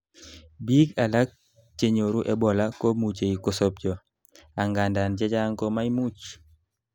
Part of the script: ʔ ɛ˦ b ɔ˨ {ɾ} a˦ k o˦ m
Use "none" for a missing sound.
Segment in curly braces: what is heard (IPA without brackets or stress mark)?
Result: l